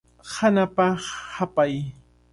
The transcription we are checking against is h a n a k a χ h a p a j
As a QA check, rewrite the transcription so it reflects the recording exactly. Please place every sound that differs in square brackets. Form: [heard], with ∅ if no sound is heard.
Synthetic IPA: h a n a [p] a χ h a p a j